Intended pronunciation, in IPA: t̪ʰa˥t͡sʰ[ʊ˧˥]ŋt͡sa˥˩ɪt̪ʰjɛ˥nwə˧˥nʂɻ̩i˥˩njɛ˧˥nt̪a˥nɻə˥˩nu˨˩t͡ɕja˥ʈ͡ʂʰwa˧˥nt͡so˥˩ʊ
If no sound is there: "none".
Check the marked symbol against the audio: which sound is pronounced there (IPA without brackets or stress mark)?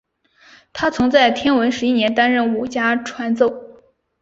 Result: ʊ˧˥